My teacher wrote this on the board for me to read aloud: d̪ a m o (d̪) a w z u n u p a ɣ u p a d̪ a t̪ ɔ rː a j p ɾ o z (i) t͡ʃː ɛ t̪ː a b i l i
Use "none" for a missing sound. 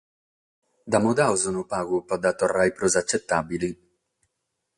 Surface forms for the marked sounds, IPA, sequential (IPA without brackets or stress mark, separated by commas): d̪, a